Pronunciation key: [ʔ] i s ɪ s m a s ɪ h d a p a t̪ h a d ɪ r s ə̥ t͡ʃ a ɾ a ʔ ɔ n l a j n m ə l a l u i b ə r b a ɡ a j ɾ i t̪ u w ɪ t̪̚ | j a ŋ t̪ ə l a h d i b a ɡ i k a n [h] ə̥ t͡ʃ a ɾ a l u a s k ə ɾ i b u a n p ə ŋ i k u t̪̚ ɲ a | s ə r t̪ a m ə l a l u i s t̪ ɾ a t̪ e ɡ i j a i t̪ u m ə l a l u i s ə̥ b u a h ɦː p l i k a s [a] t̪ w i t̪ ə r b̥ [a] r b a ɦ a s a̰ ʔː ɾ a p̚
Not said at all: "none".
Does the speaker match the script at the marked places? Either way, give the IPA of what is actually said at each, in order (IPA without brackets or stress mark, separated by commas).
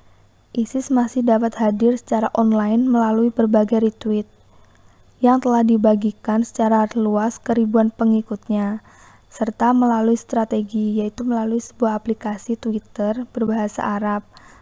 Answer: ʔ, s, i, ə